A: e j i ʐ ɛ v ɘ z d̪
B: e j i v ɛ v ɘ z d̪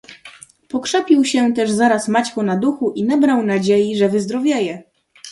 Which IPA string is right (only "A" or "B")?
A